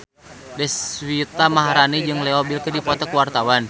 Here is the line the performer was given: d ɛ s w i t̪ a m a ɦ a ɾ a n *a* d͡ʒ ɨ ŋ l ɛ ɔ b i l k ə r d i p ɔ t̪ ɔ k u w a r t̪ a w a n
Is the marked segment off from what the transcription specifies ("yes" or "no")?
yes